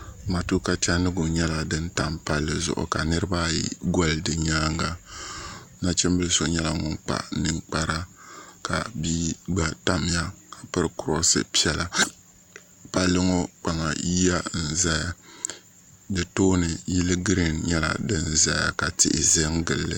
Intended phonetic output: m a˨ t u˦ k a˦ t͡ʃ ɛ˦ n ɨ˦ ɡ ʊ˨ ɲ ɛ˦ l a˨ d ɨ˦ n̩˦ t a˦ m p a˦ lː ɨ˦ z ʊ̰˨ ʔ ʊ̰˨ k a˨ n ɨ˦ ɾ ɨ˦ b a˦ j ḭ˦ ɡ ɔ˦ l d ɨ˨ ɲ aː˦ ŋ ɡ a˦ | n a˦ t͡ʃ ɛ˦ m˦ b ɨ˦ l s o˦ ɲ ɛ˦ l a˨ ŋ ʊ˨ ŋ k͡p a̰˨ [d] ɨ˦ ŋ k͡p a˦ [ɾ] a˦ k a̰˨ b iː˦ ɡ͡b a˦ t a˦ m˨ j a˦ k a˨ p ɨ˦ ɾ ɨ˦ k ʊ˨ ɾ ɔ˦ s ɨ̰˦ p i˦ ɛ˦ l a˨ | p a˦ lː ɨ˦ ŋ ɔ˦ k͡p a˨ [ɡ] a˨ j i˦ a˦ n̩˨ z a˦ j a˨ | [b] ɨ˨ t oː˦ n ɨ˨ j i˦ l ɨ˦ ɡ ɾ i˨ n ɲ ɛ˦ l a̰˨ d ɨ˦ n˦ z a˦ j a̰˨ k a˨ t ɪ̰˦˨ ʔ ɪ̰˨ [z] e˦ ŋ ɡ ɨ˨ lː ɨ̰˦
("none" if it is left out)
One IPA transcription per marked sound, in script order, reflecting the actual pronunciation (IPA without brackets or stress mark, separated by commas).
n, ɾ, ŋ, d, z